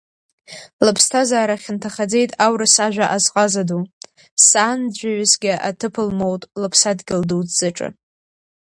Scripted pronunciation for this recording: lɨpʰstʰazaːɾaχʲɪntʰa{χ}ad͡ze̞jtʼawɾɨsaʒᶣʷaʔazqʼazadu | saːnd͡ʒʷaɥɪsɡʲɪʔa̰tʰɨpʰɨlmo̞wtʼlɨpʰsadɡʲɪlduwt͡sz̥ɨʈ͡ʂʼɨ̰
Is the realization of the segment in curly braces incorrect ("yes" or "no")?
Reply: no